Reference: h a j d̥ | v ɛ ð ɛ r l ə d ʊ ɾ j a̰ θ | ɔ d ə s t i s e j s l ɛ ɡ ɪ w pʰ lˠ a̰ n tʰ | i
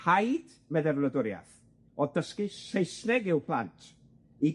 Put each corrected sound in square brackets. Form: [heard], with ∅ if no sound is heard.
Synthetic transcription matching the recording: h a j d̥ | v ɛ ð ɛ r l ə d ʊ ɾ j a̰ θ | ɔ d ə s [k] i s e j s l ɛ ɡ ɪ w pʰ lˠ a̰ n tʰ | i